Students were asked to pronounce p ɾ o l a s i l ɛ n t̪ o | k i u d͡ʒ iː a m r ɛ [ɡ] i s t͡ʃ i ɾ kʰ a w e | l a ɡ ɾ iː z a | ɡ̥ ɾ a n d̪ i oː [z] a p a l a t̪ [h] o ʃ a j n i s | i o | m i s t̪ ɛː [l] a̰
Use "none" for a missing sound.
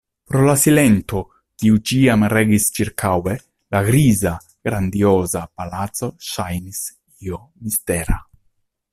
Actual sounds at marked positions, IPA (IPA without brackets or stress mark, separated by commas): ɡ, z, s, ɾ